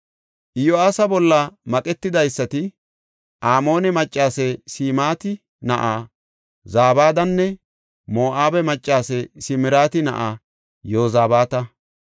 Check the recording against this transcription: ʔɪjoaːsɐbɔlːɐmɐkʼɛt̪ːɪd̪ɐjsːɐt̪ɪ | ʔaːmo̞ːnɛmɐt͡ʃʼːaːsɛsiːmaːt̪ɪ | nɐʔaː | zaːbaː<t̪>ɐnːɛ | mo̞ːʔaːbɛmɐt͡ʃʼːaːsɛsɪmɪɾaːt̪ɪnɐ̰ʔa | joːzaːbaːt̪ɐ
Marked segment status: incorrect: d̪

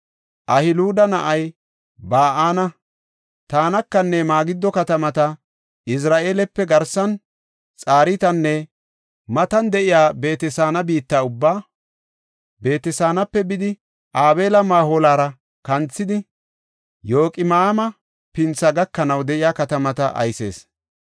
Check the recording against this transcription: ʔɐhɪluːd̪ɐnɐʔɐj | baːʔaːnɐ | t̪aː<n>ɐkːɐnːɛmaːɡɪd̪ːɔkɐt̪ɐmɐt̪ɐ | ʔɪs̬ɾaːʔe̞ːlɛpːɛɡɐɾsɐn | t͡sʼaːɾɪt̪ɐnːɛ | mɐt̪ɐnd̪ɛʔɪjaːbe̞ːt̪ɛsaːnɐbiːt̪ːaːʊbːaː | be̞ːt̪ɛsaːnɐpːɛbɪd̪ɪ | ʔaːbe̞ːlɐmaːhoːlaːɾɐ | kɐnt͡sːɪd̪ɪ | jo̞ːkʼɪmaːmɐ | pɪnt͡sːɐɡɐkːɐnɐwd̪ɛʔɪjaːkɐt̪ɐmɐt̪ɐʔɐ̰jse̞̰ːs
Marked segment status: correct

